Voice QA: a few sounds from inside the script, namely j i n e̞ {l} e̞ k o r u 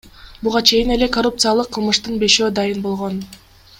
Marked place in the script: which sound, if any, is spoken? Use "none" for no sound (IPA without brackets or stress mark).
l